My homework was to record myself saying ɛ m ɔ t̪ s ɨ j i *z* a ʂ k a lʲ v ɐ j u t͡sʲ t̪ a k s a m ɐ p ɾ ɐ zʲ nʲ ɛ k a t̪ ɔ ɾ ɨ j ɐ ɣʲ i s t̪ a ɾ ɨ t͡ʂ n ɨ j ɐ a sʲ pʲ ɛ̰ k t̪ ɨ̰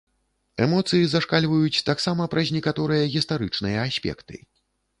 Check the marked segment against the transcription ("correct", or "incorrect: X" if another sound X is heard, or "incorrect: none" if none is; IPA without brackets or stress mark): correct